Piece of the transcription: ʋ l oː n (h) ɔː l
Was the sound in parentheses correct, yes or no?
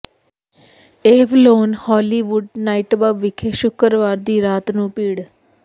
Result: yes